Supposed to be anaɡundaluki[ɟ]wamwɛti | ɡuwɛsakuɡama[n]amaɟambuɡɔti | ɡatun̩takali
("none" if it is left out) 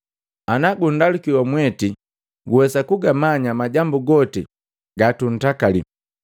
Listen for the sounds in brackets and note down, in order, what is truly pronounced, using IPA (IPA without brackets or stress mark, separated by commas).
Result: none, ɲ